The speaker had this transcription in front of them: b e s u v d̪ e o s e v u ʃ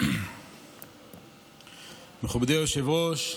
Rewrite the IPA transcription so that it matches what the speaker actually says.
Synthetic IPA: m e χ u b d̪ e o ʃ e v o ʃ